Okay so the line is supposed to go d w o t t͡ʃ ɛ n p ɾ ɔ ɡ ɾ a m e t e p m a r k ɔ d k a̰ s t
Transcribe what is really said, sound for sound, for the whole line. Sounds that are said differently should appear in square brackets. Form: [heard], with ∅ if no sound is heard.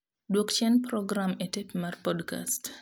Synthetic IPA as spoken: d w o [k] t͡ʃ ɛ n p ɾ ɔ ɡ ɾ a m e t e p m a r [p] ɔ d k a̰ s t